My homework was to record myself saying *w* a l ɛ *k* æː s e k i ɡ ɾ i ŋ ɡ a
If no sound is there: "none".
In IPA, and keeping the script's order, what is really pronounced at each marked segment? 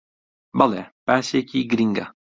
b, p

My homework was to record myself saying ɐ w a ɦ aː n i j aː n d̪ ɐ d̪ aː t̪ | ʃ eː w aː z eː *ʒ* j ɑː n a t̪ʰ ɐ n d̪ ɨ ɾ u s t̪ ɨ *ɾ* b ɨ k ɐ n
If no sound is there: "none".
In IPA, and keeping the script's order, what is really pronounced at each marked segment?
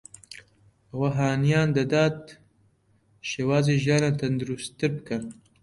ʒ, ɾ

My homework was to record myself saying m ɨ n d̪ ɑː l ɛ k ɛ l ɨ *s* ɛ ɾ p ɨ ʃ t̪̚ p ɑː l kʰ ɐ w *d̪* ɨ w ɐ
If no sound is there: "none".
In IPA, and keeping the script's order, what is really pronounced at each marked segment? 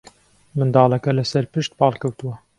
s, t̪

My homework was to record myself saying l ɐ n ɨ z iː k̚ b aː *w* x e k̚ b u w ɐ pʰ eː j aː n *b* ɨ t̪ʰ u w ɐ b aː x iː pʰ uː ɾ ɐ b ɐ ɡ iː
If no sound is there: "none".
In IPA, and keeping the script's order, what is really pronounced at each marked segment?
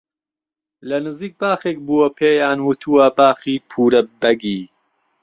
none, w

